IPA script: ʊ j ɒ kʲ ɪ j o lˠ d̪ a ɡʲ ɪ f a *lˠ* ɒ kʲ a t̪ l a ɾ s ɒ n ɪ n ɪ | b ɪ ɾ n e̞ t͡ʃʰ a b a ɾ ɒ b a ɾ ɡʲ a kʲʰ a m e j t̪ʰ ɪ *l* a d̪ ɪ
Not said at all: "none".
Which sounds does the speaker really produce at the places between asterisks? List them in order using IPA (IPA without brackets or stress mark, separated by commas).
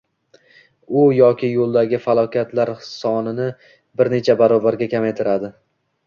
lˠ, ɾ